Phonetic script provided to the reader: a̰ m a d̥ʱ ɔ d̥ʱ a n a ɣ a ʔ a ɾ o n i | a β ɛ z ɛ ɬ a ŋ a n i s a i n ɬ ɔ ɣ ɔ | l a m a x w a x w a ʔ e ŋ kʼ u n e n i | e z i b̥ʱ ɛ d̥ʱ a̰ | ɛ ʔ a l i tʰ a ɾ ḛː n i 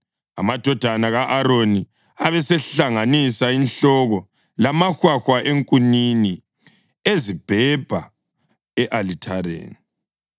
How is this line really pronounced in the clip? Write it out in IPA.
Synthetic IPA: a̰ m a d̥ʱ ɔ d̥ʱ a n a ɣ a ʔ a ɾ o n i | a β ɛ s ɛ ɬ a ŋ a n i s a i n ɬ ɔ ɣ ɔ | l a m a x w a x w a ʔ e ŋ kʼ u n i n i | e z i b̥ʱ ɛ b̥ʱ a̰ | ɛ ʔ a l i tʰ a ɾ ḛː n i